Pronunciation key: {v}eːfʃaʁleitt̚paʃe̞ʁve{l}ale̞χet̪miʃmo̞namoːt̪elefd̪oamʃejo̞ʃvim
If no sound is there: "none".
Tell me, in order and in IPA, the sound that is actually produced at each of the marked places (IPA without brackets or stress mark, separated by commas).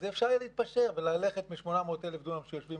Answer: z, l